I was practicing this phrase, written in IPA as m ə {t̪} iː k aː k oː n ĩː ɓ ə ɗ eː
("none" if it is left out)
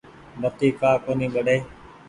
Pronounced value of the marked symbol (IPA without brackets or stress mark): t̪